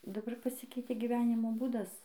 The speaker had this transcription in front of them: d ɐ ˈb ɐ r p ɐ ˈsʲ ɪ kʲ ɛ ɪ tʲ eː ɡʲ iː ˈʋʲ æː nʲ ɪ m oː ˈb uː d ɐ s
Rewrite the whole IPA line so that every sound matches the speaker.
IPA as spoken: d ɐ ˈb ɐ r p ɐ ˈsʲ ɪ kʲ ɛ ɪ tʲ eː ɡʲ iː ˈʋʲ æː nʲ ɪ m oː ˈb uː d ɐ s